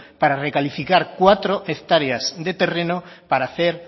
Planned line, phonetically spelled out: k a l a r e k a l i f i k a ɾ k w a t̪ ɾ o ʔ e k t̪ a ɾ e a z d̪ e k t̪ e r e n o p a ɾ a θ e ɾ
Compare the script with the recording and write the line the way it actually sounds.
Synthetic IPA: p a ɾ a r e k a l i f i k a ɾ k w a t̪ ɾ o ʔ e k t̪ a ɾ e a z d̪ e t̪ e r e n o p a ɾ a θ e ɾ